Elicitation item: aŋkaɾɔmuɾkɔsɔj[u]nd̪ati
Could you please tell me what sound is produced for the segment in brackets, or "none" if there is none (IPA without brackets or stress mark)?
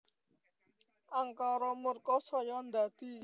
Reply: ɔ